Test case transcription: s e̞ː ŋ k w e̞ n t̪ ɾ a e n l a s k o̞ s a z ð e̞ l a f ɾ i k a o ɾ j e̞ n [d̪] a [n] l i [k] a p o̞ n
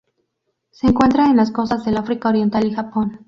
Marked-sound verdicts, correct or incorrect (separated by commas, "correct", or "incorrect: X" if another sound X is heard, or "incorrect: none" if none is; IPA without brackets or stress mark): incorrect: t̪, incorrect: none, incorrect: x